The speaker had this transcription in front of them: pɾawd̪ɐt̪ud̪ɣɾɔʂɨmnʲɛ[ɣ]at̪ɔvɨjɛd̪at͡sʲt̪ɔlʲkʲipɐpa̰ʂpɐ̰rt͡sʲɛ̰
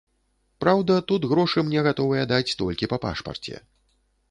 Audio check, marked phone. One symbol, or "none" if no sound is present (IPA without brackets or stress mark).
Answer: ɣ